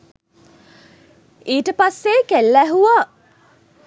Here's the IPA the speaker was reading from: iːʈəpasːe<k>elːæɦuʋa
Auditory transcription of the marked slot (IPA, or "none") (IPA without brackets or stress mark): k